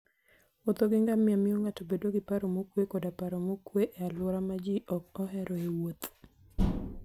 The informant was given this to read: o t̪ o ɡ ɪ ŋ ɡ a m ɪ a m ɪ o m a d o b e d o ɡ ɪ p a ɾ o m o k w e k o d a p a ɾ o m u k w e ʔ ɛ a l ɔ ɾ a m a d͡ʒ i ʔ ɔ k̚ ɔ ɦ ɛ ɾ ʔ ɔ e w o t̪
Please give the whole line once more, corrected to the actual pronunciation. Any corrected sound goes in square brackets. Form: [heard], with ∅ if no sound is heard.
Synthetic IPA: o t̪ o ɡ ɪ ŋ ɡ a m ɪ a m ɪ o [ŋ] a [t] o b e d o ɡ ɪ p a ɾ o m o k w e k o d a p a ɾ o m [o] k w e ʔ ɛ a l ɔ ɾ a m a d͡ʒ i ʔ ɔ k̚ ɔ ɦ ɛ ɾ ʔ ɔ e w o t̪